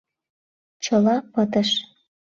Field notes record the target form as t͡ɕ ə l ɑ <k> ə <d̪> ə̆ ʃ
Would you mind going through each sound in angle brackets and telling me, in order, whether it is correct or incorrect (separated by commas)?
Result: incorrect, incorrect